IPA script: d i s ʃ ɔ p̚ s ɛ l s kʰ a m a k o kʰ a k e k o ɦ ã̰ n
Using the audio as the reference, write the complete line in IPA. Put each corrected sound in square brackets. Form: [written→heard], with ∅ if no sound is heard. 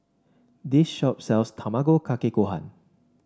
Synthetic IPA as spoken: d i s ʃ ɔ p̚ s ɛ l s [kʰ→tʰ] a m a [k→ɡ] o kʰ a k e k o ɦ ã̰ n